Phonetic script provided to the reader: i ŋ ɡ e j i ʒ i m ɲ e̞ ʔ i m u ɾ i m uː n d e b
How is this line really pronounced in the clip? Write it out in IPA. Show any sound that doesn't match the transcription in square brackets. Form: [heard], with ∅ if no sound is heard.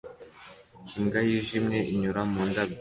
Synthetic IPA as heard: i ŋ ɡ [a] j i ʒ i m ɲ e̞ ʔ i [ɲ] u ɾ [a] m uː n d [a] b